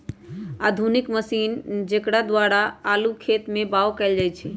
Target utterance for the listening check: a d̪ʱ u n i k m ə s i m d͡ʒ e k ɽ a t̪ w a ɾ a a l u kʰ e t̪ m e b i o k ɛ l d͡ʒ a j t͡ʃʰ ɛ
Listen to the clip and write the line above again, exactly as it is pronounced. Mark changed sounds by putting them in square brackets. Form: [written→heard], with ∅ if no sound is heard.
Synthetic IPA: a d̪ʱ u n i k m ə s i [m→n] d͡ʒ e k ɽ a [t̪→d̪] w a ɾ a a l u kʰ e t̪ m e b [i→a] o k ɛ l d͡ʒ a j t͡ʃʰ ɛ